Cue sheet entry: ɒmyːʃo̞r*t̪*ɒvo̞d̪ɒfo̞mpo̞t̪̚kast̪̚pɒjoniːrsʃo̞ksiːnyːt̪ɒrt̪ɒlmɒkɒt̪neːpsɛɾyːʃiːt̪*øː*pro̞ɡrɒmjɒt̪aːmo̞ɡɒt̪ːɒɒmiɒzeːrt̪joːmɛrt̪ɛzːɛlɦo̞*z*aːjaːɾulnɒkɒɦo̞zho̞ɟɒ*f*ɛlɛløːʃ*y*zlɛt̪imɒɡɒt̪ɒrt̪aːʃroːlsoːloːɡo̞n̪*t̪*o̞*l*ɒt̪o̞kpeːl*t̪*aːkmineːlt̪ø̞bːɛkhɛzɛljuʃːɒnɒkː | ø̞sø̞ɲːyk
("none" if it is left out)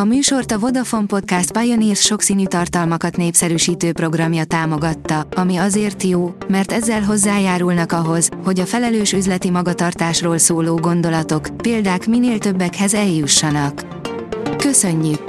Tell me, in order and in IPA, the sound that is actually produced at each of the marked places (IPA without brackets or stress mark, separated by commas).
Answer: t̪, øː, zː, f, y, d̪, l, d̪